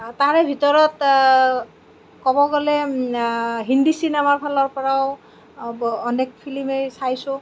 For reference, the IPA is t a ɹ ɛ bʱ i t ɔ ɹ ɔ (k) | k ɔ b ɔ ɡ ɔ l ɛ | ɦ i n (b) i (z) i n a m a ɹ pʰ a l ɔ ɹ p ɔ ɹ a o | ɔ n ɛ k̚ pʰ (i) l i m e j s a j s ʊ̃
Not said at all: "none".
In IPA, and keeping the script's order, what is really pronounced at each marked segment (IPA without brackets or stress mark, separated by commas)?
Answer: t, d, s, i